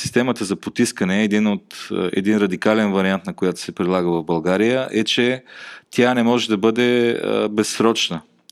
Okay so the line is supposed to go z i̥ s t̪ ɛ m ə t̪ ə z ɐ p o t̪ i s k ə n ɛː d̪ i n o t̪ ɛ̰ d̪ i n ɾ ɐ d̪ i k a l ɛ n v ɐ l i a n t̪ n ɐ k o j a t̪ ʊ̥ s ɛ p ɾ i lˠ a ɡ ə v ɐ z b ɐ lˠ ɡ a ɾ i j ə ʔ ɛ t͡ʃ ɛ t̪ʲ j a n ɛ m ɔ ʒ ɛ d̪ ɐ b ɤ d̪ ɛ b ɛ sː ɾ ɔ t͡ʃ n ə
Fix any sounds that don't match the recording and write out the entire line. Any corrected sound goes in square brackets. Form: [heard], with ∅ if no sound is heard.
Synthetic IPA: [s] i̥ s t̪ ɛ m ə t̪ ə z ɐ p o t̪ i s k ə n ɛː d̪ i n o t̪ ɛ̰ d̪ i n ɾ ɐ d̪ i k a l ɛ n v ɐ [ɾ] i a n t̪ n ɐ k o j a t̪ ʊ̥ s ɛ p ɾ i lˠ a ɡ ə v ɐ [v] b ɐ lˠ ɡ a ɾ i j ə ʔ ɛ t͡ʃ ɛ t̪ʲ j a n ɛ m ɔ ʒ ɛ d̪ ɐ b ɤ d̪ ɛ b ɛ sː ɾ ɔ t͡ʃ n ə